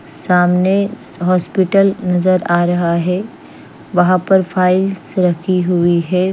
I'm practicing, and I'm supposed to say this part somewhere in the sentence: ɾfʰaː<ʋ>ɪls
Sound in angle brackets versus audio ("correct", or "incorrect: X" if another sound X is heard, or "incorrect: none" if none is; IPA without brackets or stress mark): incorrect: none